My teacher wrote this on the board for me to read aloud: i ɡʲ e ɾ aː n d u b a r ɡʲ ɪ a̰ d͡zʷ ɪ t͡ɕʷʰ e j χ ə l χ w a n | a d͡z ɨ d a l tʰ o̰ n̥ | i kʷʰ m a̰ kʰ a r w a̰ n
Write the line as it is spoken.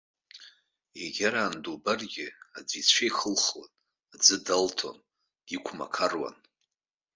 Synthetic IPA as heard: e ɡʲ a ɾ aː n d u b a r ɡʲ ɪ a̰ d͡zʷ i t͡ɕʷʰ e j χ ə l χ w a n | a d͡z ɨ d a l tʰ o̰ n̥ | i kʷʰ m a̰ kʰ a r w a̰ n